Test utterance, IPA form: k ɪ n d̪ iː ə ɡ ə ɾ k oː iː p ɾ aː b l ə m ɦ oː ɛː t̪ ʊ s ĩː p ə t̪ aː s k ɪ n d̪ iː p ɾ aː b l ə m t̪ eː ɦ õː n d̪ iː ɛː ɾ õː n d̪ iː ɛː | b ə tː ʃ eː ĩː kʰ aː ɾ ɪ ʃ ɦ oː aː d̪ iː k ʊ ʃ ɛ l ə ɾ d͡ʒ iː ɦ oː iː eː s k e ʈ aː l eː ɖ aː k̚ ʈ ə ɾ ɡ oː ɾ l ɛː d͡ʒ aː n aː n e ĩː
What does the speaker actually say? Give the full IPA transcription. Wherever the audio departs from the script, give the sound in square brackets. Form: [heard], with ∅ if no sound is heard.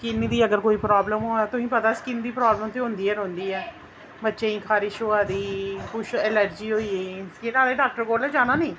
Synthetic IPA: k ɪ n d̪ iː ə ɡ ə ɾ k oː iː p ɾ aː b l ə m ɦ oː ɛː t̪ ʊ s ĩː p ə t̪ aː s k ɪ n d̪ iː p ɾ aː b l ə m t̪ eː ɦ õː n d̪ iː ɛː ɾ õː n d̪ iː ɛː | b ə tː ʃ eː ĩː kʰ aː ɾ ɪ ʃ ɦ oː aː d̪ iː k ʊ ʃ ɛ l ə ɾ d͡ʒ iː ɦ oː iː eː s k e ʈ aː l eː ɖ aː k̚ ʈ ə ɾ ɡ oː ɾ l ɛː d͡ʒ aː n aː n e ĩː